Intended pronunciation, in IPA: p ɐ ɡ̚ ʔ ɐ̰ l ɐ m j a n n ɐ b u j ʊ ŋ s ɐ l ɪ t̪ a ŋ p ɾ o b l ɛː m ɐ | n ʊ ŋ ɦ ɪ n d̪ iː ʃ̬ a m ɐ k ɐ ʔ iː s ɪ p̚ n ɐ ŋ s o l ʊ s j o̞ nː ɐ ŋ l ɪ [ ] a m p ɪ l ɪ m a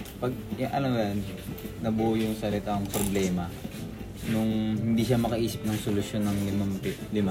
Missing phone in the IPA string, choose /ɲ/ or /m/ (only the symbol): m